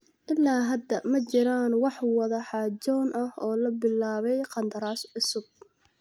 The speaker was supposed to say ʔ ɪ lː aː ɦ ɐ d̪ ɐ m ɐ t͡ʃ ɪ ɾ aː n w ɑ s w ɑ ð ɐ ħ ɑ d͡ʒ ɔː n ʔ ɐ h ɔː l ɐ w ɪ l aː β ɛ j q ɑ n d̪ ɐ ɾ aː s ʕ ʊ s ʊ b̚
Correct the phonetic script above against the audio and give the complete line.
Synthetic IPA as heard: ʔ ɪ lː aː ɦ ɐ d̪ ɐ m ɐ t͡ʃ ɪ ɾ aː n w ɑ ħ w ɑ ð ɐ ħ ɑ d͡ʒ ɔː n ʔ ɐ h ɔː l ɐ b ɪ l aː β ɛ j q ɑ n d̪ ɐ ɾ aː s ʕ ʊ s ʊ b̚